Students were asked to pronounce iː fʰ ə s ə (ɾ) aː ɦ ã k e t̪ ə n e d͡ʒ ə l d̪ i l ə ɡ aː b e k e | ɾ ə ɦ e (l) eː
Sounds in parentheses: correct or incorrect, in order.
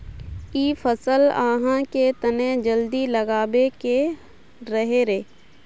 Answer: incorrect: l, incorrect: ɾ

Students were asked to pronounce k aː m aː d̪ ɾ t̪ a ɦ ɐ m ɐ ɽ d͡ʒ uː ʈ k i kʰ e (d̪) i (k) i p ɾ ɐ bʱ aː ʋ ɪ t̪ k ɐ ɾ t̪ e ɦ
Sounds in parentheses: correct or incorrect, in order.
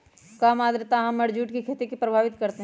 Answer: incorrect: t̪, correct

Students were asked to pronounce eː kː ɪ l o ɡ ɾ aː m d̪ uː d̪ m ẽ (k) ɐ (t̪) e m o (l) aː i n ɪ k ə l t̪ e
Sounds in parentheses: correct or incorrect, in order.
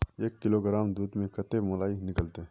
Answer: correct, correct, correct

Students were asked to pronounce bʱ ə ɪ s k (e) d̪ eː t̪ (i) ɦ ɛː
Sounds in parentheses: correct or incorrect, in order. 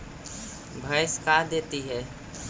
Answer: incorrect: a, correct

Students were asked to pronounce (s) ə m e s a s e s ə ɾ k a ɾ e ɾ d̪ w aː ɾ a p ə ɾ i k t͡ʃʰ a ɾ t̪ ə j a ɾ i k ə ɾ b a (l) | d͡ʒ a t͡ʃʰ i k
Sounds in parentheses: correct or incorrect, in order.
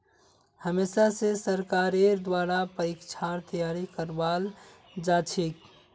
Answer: incorrect: h, correct

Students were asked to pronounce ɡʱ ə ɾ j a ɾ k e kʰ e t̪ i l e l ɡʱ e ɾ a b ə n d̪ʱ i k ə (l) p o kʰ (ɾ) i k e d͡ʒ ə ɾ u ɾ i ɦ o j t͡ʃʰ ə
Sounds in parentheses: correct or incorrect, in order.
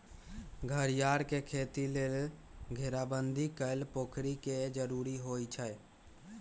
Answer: correct, correct

